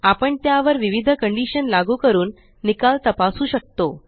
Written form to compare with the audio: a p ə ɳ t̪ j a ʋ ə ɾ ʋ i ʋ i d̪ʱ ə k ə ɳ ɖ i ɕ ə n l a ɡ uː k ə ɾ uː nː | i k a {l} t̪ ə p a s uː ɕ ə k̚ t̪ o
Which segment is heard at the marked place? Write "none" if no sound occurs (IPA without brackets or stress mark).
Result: l